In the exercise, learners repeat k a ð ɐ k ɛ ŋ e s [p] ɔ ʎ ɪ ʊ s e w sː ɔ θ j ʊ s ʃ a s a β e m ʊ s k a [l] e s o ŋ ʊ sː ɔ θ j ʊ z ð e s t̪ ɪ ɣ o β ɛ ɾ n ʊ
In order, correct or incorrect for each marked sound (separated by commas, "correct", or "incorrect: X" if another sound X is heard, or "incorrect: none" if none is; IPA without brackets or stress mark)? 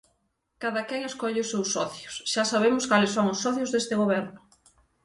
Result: incorrect: k, correct